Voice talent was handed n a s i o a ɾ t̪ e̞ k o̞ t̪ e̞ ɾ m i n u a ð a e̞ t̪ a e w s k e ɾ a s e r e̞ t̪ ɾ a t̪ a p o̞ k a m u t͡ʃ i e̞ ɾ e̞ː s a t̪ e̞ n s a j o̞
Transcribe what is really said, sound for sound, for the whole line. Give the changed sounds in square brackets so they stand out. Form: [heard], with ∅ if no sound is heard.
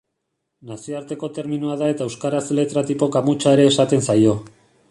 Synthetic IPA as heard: n a s i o a ɾ t̪ e̞ k o̞ t̪ e̞ ɾ m i n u a ð a e̞ t̪ a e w s k [a] ɾ a s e [l] e̞ t̪ ɾ a t̪ [i] p o̞ k a m u t͡ʃ [a] e̞ ɾ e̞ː s a t̪ e̞ n s a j o̞